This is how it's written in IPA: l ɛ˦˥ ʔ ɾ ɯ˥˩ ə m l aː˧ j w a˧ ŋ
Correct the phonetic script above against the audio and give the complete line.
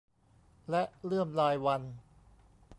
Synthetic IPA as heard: l ɛ˦˥ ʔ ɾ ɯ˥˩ ə m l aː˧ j w a˧ n